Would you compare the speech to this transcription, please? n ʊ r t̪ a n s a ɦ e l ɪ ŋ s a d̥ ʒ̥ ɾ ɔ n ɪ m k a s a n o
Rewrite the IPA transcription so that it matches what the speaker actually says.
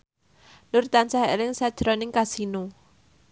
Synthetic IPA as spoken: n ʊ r t̪ a n s a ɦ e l ɪ ŋ s a d̥ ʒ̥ ɾ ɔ n ɪ ŋ k a s i n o